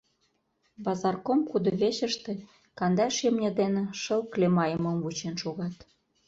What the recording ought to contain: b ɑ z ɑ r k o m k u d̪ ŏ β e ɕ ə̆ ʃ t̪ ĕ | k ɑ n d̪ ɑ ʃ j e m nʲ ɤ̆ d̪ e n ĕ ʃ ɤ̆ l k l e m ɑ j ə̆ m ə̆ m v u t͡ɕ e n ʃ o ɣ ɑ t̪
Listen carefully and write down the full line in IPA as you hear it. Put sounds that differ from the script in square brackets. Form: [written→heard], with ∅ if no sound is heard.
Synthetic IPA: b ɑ z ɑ r k o m k u d̪ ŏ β e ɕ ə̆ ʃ t̪ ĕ | k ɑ n d̪ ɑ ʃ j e m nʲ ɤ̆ d̪ e n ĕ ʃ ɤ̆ l k l e m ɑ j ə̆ m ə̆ m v u t͡ɕ e n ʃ o ɣ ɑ t̪